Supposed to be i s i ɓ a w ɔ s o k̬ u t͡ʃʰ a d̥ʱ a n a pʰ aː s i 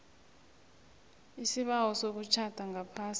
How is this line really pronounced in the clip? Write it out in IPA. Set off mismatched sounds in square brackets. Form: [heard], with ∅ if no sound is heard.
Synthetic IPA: i s i ɓ a w ɔ s o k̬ u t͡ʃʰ a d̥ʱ a [ŋ] a pʰ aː s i